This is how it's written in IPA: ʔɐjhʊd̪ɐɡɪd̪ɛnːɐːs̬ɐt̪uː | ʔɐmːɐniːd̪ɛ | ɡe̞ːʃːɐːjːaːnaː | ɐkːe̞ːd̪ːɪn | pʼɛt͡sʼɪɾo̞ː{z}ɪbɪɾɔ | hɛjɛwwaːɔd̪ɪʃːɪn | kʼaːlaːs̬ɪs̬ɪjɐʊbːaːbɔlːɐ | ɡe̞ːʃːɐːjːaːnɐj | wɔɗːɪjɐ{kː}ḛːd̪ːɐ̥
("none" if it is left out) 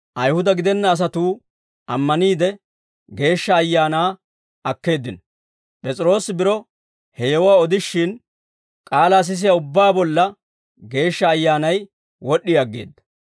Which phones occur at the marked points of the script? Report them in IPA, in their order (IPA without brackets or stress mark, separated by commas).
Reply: s, ɡː